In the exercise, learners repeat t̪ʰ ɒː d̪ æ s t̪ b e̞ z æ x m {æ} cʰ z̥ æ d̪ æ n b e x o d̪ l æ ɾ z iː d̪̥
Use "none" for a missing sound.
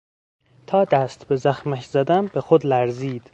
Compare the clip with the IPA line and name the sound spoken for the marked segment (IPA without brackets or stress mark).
æ